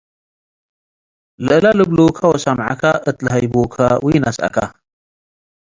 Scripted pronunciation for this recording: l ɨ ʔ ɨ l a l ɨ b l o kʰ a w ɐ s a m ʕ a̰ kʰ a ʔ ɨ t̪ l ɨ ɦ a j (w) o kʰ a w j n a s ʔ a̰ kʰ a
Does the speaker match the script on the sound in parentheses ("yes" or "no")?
no